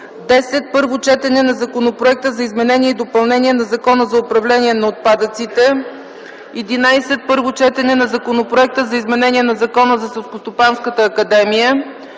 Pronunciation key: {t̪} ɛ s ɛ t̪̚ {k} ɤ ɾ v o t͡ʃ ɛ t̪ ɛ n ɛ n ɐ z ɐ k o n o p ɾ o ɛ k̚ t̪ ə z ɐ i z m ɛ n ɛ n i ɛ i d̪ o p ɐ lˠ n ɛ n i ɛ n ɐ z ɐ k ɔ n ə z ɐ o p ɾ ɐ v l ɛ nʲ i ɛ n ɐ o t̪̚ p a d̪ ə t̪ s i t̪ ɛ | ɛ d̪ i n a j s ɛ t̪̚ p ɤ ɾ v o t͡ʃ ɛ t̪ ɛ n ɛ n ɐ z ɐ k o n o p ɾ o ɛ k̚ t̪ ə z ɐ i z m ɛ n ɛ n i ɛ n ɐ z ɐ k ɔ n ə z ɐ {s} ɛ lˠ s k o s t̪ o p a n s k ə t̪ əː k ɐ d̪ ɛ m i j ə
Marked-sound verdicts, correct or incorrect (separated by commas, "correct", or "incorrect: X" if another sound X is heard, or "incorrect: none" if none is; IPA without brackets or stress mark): incorrect: d̪, incorrect: p, correct